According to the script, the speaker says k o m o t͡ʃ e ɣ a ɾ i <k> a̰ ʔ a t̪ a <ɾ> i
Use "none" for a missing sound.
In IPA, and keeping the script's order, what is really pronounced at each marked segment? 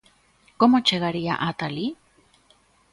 none, l

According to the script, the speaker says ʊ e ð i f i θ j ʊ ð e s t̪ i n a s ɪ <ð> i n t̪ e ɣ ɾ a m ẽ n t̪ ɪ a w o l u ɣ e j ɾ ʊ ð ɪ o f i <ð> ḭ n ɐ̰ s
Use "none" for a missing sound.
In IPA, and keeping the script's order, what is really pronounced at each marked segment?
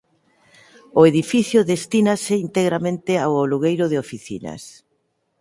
none, θ

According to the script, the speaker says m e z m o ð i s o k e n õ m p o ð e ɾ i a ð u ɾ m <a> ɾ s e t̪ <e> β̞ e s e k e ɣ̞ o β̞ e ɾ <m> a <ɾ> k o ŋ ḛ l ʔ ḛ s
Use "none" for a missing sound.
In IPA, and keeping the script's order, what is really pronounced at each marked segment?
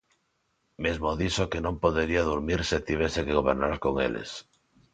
i, i, n, ɾ

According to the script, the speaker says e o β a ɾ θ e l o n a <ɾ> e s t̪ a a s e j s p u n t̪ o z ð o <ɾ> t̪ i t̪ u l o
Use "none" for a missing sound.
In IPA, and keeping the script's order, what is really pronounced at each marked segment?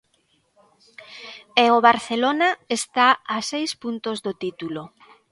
none, none

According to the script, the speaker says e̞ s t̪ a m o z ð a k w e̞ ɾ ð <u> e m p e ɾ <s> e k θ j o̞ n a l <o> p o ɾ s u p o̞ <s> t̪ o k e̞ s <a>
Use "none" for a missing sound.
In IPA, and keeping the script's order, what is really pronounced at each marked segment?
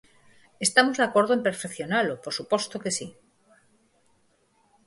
o, f, o, s, i

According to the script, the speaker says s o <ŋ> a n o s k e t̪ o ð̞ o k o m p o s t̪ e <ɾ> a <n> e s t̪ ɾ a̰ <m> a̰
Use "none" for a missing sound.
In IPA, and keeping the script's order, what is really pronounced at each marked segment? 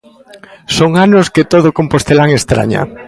ŋ, l, ŋ, ɲ

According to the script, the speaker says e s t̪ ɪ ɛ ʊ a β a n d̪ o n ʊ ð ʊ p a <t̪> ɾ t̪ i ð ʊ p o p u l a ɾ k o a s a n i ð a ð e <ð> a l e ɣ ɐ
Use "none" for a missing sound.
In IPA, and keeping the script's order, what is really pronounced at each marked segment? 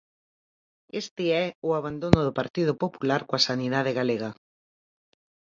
none, ɣ

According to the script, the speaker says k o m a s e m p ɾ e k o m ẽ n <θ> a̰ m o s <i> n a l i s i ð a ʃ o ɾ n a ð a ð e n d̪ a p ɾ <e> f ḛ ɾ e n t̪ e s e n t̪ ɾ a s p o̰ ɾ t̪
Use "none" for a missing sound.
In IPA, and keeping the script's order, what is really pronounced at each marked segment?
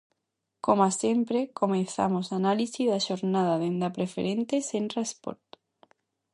θ, a, e

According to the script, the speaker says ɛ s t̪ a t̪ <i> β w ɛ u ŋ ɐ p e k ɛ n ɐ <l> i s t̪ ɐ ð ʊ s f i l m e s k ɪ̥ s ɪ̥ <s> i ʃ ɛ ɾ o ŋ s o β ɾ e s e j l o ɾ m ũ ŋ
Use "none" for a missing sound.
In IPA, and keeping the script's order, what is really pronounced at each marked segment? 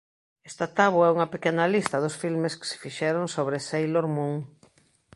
a, l, f

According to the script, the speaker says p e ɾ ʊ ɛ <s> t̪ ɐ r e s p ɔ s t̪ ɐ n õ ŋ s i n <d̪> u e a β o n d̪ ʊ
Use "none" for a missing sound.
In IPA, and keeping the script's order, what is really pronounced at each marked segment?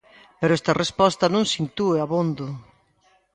s, t̪

